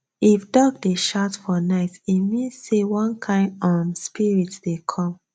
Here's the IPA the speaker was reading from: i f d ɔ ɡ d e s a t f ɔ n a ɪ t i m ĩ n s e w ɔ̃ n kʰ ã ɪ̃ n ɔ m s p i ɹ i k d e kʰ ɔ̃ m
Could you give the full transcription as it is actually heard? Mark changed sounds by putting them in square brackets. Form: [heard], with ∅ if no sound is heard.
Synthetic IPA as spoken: i f d ɔ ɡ d e [ʃ] a t f ɔ n a ɪ t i m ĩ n s e w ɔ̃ n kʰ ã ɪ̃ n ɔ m s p i ɹ i [t] d e kʰ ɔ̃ m